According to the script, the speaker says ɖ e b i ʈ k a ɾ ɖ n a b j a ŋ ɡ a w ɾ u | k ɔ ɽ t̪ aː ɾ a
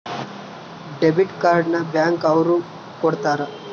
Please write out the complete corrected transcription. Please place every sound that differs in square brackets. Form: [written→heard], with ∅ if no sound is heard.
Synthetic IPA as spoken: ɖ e b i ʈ k a ɾ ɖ n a b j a ŋ [ɡ→k] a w ɾ u | k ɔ ɽ t̪ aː ɾ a

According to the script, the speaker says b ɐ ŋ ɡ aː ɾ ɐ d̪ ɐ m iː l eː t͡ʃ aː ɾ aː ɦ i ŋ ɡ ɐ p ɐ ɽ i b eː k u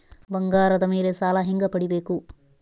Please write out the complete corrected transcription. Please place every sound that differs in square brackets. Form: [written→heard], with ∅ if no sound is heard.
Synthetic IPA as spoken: b ɐ ŋ ɡ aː ɾ ɐ d̪ ɐ m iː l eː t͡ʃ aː [ɾ→l] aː ɦ i ŋ ɡ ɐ p ɐ ɽ i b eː k u

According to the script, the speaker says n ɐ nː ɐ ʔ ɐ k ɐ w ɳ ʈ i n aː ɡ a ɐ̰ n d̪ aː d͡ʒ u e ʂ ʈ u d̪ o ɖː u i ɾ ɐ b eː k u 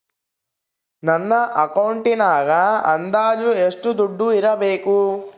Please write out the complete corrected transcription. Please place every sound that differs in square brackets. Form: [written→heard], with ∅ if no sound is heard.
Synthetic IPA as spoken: n ɐ nː ɐ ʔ ɐ k ɐ w ɳ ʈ i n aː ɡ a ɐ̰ n d̪ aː d͡ʒ u e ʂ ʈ u d̪ [o→u] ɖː u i ɾ ɐ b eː k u

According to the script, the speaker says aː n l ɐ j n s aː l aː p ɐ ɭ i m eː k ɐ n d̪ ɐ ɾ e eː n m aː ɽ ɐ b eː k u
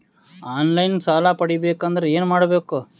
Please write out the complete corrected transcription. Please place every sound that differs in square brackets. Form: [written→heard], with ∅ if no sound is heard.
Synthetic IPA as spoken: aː n l ɐ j n s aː l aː p ɐ [ɭ→ɽ] i [m→b] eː k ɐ n d̪ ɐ ɾ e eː n m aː ɽ ɐ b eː k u

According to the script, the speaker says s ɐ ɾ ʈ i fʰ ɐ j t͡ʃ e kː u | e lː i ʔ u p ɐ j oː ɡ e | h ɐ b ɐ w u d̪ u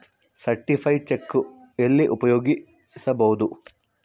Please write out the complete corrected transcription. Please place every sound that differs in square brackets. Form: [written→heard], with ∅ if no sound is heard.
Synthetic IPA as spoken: s ɐ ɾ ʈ i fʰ ɐ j t͡ʃ e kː u | e lː i ʔ u p ɐ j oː ɡ [e→i] | [h→s] ɐ b ɐ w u d̪ u

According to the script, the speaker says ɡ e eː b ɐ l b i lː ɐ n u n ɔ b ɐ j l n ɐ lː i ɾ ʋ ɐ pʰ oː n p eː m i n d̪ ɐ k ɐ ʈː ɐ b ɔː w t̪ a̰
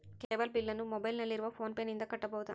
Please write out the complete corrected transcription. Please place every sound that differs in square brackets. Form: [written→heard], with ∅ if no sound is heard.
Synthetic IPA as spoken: [ɡ→k] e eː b ɐ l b i lː ɐ n u [n→m] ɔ b ɐ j l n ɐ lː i ɾ ʋ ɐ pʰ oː n p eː [m→n] i n d̪ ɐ k ɐ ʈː ɐ b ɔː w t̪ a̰

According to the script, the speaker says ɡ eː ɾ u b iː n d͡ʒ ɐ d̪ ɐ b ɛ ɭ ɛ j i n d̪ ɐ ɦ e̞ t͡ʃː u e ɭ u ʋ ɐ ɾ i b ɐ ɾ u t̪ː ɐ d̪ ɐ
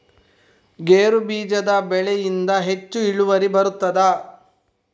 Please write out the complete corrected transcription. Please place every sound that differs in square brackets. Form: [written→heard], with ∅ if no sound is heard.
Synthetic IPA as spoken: ɡ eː ɾ u b iː [n→∅] d͡ʒ ɐ d̪ ɐ b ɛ ɭ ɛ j i n d̪ ɐ ɦ e̞ t͡ʃː u [e→i] ɭ u ʋ ɐ ɾ i b ɐ ɾ u t̪ː ɐ d̪ ɐ

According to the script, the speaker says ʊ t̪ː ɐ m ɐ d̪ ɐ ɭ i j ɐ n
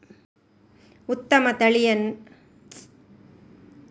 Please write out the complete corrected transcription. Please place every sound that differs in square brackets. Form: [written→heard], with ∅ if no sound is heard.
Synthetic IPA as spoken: ʊ t̪ː ɐ m ɐ [d̪→t̪] ɐ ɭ [i→ɪ] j ɐ n

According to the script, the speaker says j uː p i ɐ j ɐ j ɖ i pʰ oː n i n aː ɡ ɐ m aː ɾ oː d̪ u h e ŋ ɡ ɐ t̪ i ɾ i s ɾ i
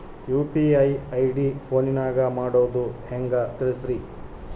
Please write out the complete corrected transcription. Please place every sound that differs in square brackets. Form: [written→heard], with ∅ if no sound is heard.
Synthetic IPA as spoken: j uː p i ɐ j ɐ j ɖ i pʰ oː n i n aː ɡ ɐ m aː [ɾ→ɽ] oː d̪ u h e ŋ ɡ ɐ t̪ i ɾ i s ɾ i

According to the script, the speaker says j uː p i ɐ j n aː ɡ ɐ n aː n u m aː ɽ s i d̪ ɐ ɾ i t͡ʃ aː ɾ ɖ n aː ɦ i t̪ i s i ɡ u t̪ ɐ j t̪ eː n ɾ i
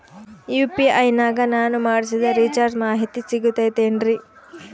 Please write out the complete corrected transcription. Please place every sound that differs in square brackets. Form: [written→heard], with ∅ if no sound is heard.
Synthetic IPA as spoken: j uː p i ɐ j n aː ɡ ɐ n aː n u m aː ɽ s i d̪ ɐ ɾ i t͡ʃ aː ɾ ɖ [n→m] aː ɦ i t̪ i s i ɡ u t̪ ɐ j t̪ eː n ɾ i

